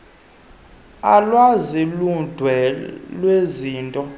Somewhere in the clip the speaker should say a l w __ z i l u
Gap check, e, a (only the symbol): a